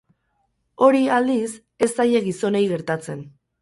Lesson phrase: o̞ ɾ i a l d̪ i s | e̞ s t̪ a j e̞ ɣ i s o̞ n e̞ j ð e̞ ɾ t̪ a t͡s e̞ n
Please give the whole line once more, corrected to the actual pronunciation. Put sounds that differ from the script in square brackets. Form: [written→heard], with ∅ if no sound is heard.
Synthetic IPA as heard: o̞ ɾ i a l d̪ i s | e̞ s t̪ a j e̞ ɣ i s o̞ n e̞ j [ð→ɣ] e̞ ɾ t̪ a t͡s e̞ n